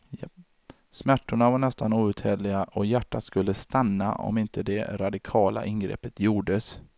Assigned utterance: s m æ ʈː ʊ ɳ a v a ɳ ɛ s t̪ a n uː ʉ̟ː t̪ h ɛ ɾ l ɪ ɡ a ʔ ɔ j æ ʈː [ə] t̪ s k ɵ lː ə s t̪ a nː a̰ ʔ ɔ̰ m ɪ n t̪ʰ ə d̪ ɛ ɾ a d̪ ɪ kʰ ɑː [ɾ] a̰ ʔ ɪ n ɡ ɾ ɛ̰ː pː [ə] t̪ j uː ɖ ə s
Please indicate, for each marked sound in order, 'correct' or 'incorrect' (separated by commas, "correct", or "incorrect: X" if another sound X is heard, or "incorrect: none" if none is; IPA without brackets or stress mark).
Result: incorrect: a, incorrect: l, correct